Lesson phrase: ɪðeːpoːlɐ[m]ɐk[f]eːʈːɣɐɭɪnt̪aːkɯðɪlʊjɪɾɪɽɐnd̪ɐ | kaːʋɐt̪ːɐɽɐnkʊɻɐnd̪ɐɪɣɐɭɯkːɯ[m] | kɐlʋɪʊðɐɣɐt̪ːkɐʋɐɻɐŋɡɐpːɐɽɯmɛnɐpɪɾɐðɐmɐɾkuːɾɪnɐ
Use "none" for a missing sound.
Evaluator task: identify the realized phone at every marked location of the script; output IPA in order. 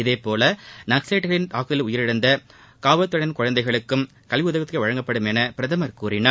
n, s, m

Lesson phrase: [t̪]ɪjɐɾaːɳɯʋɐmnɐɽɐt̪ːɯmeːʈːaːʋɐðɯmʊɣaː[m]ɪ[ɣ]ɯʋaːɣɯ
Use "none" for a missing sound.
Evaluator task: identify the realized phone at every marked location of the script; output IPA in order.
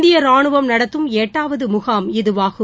d̪, m, ð

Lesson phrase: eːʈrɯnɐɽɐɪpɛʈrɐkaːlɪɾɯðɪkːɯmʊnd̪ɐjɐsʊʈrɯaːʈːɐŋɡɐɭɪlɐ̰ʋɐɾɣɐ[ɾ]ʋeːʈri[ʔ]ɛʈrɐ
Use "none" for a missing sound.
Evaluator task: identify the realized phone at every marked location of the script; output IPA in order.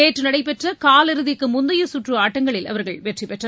ɭ, p

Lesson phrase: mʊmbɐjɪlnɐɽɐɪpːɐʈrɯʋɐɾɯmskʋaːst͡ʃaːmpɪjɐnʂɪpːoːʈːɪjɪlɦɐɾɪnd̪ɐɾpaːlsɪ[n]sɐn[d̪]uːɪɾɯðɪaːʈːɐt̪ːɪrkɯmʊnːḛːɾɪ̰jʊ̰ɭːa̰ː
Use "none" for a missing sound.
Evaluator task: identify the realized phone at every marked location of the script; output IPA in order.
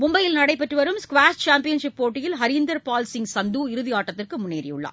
ŋ, d̪

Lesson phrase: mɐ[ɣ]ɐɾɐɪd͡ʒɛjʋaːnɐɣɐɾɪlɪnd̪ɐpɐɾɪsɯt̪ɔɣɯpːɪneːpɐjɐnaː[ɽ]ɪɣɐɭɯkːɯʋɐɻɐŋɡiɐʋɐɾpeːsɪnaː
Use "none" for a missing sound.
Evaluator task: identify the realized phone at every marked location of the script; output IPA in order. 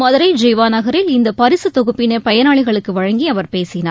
ð, ɭ

